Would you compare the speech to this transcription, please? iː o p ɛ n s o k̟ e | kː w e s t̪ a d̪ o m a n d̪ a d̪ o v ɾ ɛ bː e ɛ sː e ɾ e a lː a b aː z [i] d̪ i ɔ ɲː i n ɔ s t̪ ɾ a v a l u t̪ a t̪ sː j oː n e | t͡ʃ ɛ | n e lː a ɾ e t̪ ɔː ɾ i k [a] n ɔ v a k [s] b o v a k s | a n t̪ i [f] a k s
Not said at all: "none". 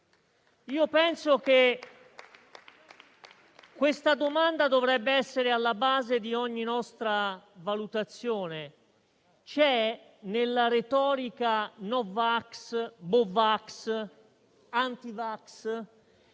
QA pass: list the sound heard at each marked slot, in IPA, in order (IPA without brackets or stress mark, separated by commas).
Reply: e, a, s, v